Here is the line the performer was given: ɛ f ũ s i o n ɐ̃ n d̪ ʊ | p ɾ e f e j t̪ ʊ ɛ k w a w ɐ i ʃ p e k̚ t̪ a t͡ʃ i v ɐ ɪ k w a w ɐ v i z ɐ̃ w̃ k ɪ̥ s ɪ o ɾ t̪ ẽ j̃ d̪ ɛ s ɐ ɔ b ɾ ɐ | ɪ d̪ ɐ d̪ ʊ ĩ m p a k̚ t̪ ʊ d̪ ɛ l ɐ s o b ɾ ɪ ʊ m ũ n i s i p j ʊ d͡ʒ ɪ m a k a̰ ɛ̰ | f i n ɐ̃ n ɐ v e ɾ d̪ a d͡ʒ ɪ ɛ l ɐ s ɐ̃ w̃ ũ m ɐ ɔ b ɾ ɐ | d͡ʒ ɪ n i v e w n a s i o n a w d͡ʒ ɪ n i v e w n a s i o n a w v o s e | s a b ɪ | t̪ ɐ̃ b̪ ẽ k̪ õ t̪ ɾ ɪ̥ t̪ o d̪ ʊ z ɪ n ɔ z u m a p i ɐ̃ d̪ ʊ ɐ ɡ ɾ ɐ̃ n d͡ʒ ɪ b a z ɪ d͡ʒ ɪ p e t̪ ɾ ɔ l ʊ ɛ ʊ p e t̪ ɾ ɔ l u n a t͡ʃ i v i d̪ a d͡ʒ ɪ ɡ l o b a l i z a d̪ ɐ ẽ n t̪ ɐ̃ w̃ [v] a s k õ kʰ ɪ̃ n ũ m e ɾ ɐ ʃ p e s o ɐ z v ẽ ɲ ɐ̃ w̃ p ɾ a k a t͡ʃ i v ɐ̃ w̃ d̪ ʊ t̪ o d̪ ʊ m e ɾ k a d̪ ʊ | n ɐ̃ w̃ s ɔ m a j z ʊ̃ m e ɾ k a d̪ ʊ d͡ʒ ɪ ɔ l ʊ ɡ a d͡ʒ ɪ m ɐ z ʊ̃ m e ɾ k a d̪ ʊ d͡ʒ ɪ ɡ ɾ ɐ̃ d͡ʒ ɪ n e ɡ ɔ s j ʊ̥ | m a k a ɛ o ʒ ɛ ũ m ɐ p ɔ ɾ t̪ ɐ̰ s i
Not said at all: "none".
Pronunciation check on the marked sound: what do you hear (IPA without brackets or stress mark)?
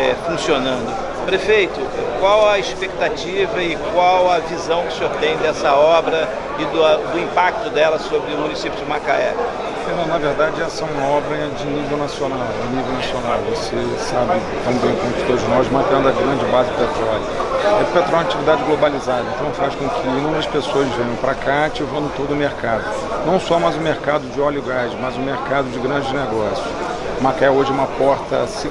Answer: f